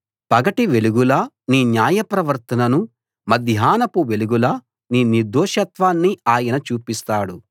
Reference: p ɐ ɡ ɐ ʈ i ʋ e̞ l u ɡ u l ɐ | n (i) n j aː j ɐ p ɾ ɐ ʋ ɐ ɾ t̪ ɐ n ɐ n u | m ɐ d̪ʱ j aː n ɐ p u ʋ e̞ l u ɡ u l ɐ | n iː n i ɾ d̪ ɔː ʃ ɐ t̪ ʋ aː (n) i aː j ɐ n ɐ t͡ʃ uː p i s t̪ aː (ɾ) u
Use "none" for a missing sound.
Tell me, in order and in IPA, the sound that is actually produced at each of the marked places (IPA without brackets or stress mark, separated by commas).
iː, nː, ɽ